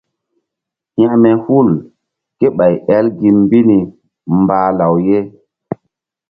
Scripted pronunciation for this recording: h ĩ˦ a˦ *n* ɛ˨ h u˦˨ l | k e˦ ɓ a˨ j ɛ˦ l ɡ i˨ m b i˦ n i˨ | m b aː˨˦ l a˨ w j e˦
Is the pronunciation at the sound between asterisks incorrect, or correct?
incorrect